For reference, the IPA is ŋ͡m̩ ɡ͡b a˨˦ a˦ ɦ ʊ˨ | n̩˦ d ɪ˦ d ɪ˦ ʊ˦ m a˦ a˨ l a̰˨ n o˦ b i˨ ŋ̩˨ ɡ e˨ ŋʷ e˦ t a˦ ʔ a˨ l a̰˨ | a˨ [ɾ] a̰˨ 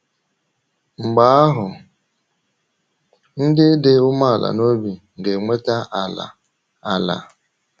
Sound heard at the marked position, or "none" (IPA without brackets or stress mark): l